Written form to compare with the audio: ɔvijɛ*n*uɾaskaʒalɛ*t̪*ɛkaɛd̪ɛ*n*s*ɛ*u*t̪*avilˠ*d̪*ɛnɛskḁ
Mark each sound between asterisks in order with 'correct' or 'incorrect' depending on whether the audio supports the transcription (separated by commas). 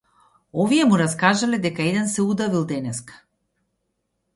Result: incorrect, incorrect, correct, correct, incorrect, correct